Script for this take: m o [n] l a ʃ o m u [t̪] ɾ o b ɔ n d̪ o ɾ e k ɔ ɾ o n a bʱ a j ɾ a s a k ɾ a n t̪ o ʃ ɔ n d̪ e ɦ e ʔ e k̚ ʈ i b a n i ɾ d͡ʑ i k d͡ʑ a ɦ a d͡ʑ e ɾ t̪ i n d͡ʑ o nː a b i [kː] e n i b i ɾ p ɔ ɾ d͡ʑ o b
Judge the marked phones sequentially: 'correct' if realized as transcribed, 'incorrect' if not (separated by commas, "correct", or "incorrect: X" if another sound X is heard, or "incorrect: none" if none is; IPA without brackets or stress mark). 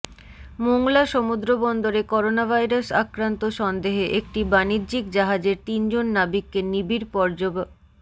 incorrect: ŋ, incorrect: d̪, correct